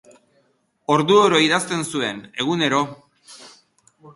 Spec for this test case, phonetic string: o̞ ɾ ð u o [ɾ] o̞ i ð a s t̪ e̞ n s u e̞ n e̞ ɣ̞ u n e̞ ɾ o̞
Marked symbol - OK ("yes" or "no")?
yes